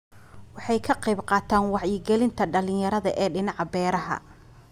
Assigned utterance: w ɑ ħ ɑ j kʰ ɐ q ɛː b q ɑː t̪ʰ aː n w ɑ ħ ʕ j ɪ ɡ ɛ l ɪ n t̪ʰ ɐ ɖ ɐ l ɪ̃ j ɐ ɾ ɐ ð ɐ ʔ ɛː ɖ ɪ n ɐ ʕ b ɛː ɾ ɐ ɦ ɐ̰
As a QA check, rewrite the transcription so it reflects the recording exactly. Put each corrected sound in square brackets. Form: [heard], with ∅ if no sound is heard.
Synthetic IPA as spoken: w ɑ ħ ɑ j kʰ ɐ q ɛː b q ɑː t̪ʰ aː n w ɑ [∅] ʕ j ɪ ɡ ɛ l ɪ n t̪ʰ ɐ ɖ ɐ l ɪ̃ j ɐ ɾ ɐ ð ɐ ʔ ɛː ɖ ɪ n [ɑ] ʕ b ɛː ɾ ɐ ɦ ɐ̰